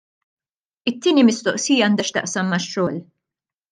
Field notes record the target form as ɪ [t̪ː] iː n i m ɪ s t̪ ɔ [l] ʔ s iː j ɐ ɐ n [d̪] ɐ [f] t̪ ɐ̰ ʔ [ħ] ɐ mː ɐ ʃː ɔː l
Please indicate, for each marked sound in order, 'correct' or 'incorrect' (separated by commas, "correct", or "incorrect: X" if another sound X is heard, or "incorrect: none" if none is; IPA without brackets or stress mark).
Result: correct, incorrect: none, correct, incorrect: ʃ, incorrect: s